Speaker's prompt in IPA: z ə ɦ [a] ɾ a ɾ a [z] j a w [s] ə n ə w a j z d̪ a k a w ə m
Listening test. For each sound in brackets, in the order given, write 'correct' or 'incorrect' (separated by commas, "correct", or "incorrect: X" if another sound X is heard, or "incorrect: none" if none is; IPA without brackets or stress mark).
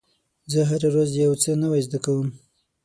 correct, correct, incorrect: t͡s